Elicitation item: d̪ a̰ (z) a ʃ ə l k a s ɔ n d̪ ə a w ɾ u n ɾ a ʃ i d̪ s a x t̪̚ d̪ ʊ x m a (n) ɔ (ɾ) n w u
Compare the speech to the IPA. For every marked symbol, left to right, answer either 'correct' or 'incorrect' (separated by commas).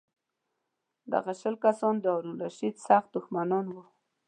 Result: incorrect, correct, incorrect